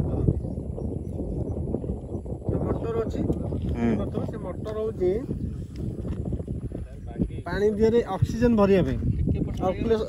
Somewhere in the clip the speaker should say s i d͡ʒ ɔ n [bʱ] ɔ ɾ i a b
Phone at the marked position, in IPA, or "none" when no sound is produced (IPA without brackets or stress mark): bʱ